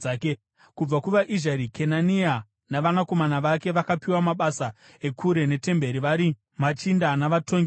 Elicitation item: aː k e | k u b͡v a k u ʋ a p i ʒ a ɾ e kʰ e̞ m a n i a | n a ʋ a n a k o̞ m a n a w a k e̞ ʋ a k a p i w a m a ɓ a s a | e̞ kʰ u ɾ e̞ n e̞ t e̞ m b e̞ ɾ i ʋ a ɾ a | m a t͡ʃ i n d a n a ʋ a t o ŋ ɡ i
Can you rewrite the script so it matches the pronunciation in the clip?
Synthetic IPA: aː k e | k u b͡v a k u ʋ a ʔ i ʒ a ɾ i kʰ e̞ n a n i a | n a ʋ a n a k o̞ m a n a ʋ a k e̞ ʋ a k a p i w a m a ɓ a s a | e̞ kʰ u ɾ e̞ n e̞ t e̞ m b e̞ ɾ i ʋ a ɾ i | m a t͡ʃ i n d a n a ʋ a t o ŋ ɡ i